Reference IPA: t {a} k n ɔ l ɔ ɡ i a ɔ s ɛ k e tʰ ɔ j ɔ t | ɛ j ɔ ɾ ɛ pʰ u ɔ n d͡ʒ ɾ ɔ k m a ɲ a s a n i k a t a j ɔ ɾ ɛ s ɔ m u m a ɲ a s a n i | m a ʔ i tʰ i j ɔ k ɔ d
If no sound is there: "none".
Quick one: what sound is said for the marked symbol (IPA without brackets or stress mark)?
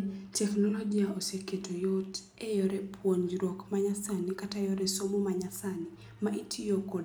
ɛ